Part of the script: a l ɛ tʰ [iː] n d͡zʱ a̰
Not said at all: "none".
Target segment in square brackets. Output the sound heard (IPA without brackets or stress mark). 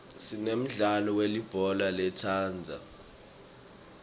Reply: aː